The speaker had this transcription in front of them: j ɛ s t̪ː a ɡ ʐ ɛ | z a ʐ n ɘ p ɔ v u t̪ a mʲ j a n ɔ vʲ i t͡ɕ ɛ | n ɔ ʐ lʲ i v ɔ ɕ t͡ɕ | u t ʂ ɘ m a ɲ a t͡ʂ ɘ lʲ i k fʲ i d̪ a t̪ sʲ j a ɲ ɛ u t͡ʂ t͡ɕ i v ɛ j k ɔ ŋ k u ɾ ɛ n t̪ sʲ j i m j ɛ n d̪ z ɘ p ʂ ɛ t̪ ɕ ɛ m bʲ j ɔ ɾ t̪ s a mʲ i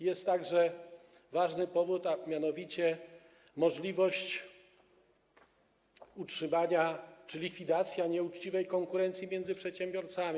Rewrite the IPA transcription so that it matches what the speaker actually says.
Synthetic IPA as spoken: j ɛ s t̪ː a ɡ ʐ ɛ | v a ʐ n ɘ p ɔ v u t̪ a mʲ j a n ɔ vʲ i t͡ɕ ɛ | m ɔ ʐ lʲ i v ɔ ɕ t͡ɕ | u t ʂ ɘ m a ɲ a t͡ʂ ɘ lʲ i k fʲ i d̪ a t̪ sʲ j a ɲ ɛ u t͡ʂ t͡ɕ i v ɛ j k ɔ ŋ k u ɾ ɛ n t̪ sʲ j i m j ɛ n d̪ z ɘ p ʂ ɛ t̪ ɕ ɛ m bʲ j ɔ ɾ t̪ s a mʲ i

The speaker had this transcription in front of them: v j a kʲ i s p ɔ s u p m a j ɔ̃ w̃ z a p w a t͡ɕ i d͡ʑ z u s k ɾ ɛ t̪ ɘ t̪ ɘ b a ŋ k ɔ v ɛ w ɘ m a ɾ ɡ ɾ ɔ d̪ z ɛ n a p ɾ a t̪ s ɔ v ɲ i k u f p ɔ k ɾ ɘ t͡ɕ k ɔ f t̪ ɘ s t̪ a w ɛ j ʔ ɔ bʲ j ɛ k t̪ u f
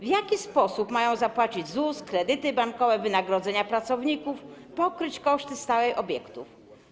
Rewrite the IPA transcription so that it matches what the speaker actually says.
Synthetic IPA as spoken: v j a kʲ i s p ɔ s u p m a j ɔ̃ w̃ z a p w a t͡ɕ i d͡ʑ z u s k ɾ ɛ d̪ ɘ t̪ ɘ b a ŋ k ɔ v ɛ v ɘ n a ɡ ɾ ɔ d̪ z ɛ ɲ a p ɾ a t̪ s ɔ v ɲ i k u f p ɔ k ɾ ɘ t͡ɕ k ɔ ʂ t̪ ɘ s t̪ a w ɛ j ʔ ɔ bʲ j ɛ k t̪ u f

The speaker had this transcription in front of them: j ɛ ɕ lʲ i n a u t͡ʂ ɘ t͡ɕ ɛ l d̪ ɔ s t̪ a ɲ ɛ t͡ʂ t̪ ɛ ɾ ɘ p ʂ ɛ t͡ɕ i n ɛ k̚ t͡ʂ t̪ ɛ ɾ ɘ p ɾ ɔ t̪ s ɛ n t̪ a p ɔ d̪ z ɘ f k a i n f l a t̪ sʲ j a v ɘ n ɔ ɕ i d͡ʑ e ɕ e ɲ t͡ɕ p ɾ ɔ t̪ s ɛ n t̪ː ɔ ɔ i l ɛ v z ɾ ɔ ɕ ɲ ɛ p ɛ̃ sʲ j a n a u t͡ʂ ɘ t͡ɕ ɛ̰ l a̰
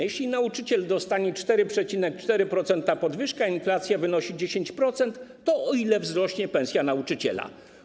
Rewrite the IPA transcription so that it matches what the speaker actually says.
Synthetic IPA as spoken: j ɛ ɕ lʲ i n a u t͡ʂ ɘ t͡ɕ ɛ l d̪ ɔ s t̪ a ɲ ɛ t͡ʂ t̪ ɛ ɾ ɘ p ʂ ɛ t͡ɕ i n ɛ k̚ t͡ʂ t̪ ɛ ɾ ɘ p ɾ ɔ t̪ s ɛ n t̪ a p ɔ d̪ v ɘ ʂ k a i n f l a t̪ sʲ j a v ɘ n ɔ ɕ i d͡ʑ e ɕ e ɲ t͡ɕ p ɾ ɔ t̪ s ɛ n t̪ː ɔ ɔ i l ɛ v z ɾ ɔ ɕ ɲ ɛ p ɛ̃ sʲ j a n a u t͡ʂ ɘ t͡ɕ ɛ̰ l a̰

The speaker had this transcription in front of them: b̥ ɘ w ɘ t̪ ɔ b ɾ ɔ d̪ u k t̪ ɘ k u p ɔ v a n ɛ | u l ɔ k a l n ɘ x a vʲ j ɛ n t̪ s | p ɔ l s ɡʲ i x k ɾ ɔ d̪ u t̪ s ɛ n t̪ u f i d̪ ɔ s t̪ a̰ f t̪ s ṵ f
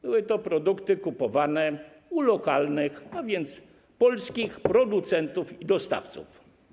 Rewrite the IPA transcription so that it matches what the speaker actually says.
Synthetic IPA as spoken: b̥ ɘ w ɘ t̪ ɔ p ɾ ɔ d̪ u k t̪ ɘ k u p ɔ v a n ɛ | u l ɔ k a l n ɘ x a vʲ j ɛ n t̪ s | p ɔ l s kʲ i x p ɾ ɔ d̪ u t̪ s ɛ n t̪ u f i d̪ ɔ s t̪ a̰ f t̪ s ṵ f

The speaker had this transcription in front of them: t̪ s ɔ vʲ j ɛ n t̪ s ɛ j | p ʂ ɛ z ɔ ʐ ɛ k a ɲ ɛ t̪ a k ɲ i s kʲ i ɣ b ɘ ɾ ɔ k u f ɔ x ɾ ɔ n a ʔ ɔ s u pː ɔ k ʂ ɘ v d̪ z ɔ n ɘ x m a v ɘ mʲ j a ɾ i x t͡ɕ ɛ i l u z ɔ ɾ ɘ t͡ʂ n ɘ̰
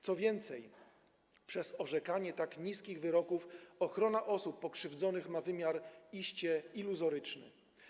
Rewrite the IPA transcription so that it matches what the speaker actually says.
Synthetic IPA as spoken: t̪ s ɔ vʲ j ɛ n t̪ s ɛ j | p ʂ ɛ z ɔ ʐ ɛ k a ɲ ɛ t̪ a k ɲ i s kʲ i ɣ v ɘ ɾ ɔ k u f ɔ x ɾ ɔ n a ʔ ɔ s u pː ɔ k ʂ ɘ v d̪ z ɔ n ɘ x m a v ɘ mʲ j a ɾ i ɕ t͡ɕ ɛ i l u z ɔ ɾ ɘ t͡ʂ n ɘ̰

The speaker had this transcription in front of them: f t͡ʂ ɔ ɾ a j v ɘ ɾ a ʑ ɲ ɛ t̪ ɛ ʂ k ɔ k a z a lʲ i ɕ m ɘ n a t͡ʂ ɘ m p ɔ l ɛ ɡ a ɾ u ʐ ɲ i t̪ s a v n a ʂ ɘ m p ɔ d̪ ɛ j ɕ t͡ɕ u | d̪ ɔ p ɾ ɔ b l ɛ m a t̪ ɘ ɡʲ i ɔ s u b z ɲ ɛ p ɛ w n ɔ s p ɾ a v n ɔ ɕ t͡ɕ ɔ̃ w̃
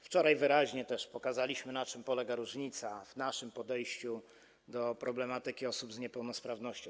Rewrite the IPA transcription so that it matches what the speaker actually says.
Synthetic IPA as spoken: f t͡ʂ ɔ ɾ a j v ɘ ɾ a ʑ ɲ ɛ t̪ ɛ ʂ p ɔ k a z a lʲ i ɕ m ɘ n a t͡ʂ ɘ m p ɔ l ɛ ɡ a ɾ u ʐ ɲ i t̪ s a v n a ʂ ɘ m p ɔ d̪ ɛ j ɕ t͡ɕ u | d̪ ɔ p ɾ ɔ b l ɛ m a t̪ ɘ kʲ i ɔ s u b z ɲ ɛ p ɛ w n ɔ s p ɾ a v n ɔ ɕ t͡ɕ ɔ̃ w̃

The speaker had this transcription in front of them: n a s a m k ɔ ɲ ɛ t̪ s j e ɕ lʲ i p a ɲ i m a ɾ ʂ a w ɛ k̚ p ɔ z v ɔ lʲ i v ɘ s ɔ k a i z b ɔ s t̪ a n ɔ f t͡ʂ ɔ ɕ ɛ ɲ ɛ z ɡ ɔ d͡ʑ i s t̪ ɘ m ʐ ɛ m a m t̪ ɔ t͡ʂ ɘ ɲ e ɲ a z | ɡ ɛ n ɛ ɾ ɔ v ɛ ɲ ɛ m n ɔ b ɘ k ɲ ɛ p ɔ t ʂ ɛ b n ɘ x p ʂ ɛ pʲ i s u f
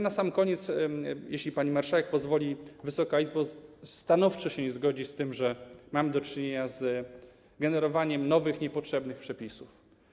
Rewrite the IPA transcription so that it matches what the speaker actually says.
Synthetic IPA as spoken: n a s a m k ɔ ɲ ɛ t̪ s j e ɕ lʲ i p a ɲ i m a ɾ ʂ a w ɛ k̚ p ɔ z v ɔ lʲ i v ɘ s ɔ k a i z b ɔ s t̪ a n ɔ f t͡ʂ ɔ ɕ ɛ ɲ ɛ z ɡ ɔ d͡ʑ i s t̪ ɘ m ʐ ɛ m a m d̪ ɔ t͡ʂ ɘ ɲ e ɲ a z | ɡ ɛ n ɛ ɾ ɔ v a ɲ ɛ m n ɔ v ɘ x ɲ ɛ p ɔ t ʂ ɛ b n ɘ x p ʂ ɛ pʲ i s u f

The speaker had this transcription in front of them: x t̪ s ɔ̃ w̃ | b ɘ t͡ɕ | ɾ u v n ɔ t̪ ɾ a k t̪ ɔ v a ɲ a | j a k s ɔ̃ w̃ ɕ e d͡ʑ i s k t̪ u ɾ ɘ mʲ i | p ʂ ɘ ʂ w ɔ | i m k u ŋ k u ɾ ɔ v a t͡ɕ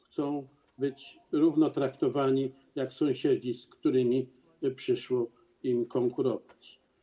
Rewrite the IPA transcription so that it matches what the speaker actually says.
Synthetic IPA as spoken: x t̪ s ɔ̃ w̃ | b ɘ t͡ɕ | ɾ u v n ɔ t̪ ɾ a k t̪ ɔ v a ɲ i | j a k s ɔ̃ w̃ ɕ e d͡ʑ i s k t̪ u ɾ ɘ mʲ i | p ʂ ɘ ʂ w ɔ | i m k ɔ ŋ k u ɾ ɔ v a t͡ɕ

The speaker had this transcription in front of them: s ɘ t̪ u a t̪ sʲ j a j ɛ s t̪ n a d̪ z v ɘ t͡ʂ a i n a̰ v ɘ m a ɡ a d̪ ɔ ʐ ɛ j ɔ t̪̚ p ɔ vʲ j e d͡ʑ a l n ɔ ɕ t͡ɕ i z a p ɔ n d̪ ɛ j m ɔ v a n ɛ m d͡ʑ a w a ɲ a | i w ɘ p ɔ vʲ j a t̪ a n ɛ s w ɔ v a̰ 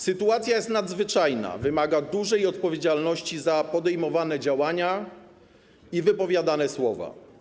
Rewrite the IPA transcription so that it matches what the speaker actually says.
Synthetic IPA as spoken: s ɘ t̪ u a t̪ sʲ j a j ɛ s t̪ n a d̪ z v ɘ t͡ʂ a j n a̰ v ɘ m a ɡ a d̪ u ʐ ɛ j ɔ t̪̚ p ɔ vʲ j e d͡ʑ a l n ɔ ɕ t͡ɕ i z a p ɔ d̪ ɛ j m ɔ v a n ɛ d͡ʑ a w a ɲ a | i v ɘ p ɔ vʲ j a d̪ a n ɛ s w ɔ v a̰

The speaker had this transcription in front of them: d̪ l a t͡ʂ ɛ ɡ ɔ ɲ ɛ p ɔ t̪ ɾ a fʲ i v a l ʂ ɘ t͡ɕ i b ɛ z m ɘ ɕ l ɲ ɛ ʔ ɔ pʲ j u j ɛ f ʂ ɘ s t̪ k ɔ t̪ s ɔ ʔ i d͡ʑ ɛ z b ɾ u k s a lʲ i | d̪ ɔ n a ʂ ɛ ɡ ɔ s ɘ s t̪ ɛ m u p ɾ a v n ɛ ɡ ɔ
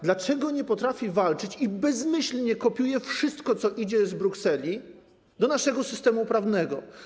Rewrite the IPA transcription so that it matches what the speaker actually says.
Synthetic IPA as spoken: d̪ l a t͡ʂ ɛ ɡ ɔ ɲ ɛ p ɔ t̪ ɾ a fʲ i v a l t͡ʂ ɘ t͡ɕ i b ɛ z m ɘ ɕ l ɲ ɛ k ɔ pʲ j u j ɛ f ʂ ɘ s t̪ k ɔ t̪ s ɔ ʔ i d͡ʑ ɛ z b ɾ u k s ɛ lʲ i | d̪ ɔ n a ʂ ɛ ɡ ɔ s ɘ s t̪ ɛ m u p ɾ a v n ɛ ɡ ɔ

